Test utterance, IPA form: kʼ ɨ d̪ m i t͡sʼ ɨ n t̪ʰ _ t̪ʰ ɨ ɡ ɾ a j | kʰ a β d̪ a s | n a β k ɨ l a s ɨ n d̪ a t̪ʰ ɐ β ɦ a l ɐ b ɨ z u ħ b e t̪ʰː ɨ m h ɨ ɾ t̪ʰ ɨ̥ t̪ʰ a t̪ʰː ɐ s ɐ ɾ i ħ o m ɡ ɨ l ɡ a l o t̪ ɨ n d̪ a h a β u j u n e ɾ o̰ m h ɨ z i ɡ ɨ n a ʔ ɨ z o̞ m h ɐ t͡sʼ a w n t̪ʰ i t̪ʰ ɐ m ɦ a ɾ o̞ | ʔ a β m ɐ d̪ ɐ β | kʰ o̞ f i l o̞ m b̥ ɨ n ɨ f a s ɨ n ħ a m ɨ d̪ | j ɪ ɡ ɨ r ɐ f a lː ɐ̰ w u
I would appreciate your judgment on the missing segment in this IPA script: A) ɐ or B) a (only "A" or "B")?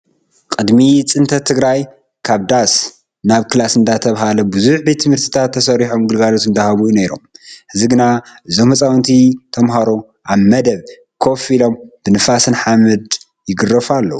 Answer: A